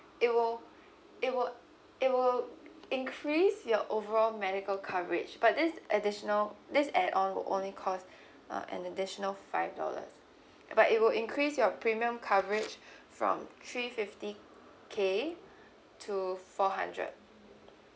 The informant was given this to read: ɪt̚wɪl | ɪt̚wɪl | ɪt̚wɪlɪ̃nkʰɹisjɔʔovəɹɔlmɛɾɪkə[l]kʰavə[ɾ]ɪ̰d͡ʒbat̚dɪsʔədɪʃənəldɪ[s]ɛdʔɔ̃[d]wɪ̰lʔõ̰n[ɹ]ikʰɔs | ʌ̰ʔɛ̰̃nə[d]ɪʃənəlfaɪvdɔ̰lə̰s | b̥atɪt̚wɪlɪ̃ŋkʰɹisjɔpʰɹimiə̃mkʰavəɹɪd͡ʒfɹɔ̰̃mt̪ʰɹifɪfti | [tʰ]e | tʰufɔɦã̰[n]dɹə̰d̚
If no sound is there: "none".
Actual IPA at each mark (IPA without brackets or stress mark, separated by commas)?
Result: l, ɹ, s, n, l, d, kʰ, n